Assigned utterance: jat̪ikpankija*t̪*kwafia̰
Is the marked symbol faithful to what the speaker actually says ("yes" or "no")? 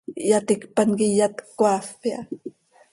yes